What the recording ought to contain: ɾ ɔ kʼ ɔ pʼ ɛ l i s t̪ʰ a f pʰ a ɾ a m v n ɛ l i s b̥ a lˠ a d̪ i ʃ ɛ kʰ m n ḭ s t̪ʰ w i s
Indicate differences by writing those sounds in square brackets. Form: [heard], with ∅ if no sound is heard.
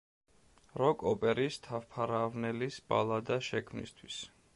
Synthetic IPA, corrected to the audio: ɾ ɔ kʼ ɔ pʼ ɛ [ɾ] i s t̪ʰ a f pʰ a ɾ a [∅] v n ɛ l i s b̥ a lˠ a d̪ [a] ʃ ɛ kʰ m n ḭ s t̪ʰ w i s